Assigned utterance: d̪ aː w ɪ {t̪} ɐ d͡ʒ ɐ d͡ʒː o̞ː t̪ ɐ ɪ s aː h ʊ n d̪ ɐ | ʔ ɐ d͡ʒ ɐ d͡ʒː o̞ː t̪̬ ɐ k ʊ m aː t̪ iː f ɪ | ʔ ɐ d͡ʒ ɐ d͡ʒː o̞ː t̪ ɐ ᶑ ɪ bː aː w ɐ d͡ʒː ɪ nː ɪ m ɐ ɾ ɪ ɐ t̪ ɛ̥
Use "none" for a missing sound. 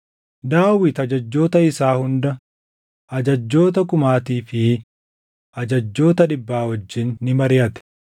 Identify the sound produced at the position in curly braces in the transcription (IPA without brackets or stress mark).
t̪